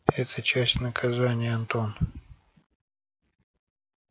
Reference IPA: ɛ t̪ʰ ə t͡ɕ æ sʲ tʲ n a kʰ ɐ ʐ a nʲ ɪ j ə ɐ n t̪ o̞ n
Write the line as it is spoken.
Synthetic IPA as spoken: ɛ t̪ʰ ə t͡ɕ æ sʲ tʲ n ə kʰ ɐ z a nʲ ɪ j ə ɐ n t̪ o̞ n